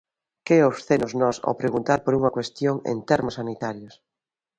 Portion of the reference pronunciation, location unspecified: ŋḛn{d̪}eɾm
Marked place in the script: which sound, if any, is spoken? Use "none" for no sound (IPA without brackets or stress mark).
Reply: t̪